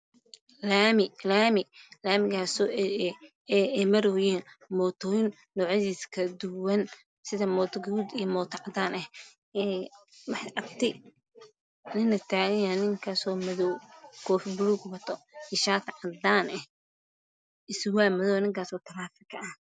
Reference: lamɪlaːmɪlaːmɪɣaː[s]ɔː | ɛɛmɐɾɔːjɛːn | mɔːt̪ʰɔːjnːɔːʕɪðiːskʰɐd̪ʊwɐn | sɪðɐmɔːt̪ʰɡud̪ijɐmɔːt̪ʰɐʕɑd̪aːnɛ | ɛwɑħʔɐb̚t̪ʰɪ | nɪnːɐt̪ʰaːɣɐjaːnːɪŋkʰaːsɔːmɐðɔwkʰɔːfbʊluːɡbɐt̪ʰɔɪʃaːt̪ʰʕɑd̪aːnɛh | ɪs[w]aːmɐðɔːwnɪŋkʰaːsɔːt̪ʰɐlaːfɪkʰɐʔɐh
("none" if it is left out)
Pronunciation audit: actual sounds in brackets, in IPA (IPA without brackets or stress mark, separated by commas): s, w